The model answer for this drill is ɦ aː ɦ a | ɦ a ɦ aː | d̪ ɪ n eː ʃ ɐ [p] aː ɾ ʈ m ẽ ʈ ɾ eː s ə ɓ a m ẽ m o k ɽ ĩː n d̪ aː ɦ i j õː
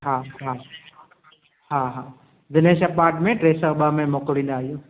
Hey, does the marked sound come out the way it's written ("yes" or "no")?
yes